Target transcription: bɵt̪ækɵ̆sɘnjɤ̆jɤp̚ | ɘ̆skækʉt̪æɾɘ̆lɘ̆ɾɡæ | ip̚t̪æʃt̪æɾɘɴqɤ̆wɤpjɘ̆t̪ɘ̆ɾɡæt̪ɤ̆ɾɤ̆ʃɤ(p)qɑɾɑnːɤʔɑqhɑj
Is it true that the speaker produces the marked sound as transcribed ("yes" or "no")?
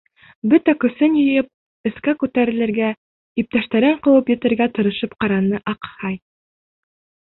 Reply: yes